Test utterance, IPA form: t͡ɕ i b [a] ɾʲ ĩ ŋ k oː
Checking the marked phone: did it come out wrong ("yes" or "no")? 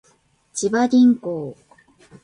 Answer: no